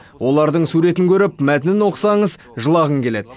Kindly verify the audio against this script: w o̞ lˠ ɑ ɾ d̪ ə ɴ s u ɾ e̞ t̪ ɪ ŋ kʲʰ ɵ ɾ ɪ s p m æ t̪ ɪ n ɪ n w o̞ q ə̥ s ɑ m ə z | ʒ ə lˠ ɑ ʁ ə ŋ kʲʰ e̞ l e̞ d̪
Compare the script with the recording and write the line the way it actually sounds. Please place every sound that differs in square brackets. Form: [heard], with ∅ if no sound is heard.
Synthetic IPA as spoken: w o̞ lˠ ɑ ɾ d̪ ə ɴ s u ɾ e̞ t̪ ɪ ŋ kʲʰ ɵ ɾ ɪ [∅] p m æ t̪ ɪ n ɪ n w o̞ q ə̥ s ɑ [ɴ] ə z | ʒ ə lˠ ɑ ʁ ə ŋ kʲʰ e̞ l e̞ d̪